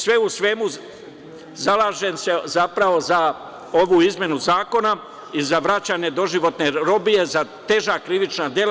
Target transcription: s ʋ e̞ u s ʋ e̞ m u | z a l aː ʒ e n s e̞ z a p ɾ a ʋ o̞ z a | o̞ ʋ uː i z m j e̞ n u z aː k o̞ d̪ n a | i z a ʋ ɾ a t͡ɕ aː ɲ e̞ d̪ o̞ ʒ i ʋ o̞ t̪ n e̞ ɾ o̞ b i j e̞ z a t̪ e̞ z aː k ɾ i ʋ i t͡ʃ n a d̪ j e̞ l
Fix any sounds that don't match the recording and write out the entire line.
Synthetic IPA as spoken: s ʋ e̞ u s ʋ e̞ m u | z a l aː ʒ e n s e̞ z a p ɾ a ʋ o̞ z a | o̞ ʋ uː i z m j e̞ n u z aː k o̞ n a | i z a ʋ ɾ a t͡ɕ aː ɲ e̞ d̪ o̞ ʒ i ʋ o̞ t̪ n e̞ ɾ o̞ b i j e̞ z a t̪ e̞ ʒ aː k ɾ i ʋ i t͡ʃ n a d̪ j e̞ l